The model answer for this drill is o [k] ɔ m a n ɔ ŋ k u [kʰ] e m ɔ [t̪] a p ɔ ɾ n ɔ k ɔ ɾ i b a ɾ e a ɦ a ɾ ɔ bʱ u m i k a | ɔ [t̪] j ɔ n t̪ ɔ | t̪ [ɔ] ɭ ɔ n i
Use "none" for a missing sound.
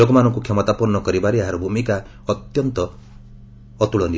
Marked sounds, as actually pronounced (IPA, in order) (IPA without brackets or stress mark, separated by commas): ɡ, kʰ, t̪, t̪, u